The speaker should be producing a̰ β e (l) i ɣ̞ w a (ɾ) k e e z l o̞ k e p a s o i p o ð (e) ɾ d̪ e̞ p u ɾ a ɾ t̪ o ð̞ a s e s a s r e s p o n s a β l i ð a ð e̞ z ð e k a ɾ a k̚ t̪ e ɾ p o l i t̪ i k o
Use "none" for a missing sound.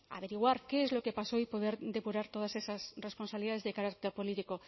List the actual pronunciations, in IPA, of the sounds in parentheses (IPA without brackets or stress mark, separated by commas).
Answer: ɾ, ɾ, e